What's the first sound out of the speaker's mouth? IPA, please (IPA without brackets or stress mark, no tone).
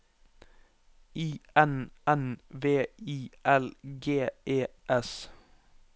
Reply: iː